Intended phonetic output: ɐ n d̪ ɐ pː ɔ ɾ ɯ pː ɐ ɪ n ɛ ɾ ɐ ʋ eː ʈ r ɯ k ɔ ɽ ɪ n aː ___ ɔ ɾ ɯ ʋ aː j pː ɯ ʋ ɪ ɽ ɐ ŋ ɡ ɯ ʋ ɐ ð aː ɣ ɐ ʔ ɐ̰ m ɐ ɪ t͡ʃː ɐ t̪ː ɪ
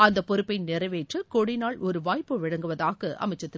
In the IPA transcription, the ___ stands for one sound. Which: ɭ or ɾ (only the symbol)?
ɭ